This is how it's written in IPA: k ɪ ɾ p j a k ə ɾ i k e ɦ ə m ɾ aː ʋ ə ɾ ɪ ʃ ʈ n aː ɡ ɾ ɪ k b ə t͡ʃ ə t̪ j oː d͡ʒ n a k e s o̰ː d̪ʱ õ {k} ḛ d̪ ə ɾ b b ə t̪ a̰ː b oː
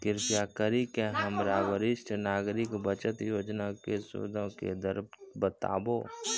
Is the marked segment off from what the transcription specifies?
no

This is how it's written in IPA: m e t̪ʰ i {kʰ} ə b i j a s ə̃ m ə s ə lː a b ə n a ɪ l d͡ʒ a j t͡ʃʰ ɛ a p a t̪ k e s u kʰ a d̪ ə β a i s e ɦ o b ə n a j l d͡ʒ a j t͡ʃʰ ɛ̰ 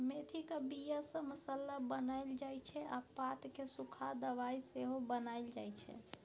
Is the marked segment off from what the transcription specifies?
yes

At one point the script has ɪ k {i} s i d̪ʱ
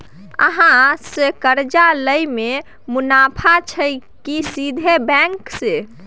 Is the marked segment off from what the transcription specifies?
no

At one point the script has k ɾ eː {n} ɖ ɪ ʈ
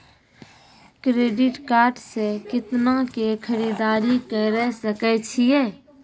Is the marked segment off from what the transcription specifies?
yes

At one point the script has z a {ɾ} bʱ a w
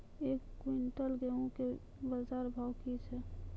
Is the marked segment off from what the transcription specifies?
no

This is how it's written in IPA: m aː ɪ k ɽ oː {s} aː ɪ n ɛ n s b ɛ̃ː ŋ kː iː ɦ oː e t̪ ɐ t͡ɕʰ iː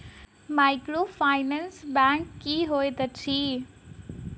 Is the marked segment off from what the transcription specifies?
yes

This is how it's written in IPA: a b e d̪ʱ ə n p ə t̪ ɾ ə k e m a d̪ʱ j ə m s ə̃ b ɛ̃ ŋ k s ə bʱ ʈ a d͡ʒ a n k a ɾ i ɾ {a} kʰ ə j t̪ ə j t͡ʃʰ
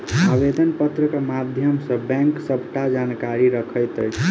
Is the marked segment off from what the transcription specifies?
yes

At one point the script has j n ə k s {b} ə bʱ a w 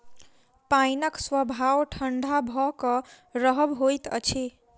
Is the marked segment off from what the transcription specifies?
yes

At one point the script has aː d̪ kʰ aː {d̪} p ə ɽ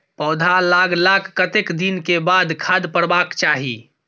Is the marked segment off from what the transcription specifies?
no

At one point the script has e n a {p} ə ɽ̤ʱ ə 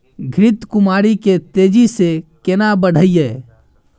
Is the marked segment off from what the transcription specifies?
yes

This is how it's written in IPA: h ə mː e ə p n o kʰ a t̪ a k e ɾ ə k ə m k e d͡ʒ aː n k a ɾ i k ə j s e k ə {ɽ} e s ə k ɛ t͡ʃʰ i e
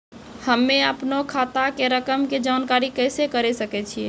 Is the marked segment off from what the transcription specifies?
yes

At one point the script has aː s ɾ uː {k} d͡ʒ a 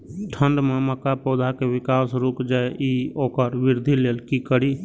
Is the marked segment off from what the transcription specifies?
no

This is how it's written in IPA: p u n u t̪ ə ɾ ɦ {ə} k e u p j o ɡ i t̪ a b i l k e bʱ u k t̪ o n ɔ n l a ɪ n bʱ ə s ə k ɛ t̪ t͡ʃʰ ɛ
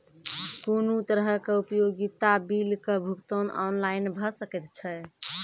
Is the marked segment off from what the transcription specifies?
no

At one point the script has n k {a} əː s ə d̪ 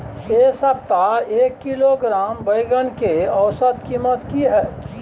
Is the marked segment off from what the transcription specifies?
yes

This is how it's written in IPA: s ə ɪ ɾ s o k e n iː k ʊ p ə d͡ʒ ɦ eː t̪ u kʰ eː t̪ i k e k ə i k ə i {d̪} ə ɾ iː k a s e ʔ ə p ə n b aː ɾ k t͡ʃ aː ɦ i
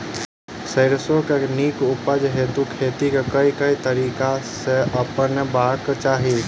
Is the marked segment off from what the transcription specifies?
yes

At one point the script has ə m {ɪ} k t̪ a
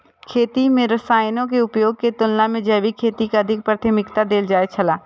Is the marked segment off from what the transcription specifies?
no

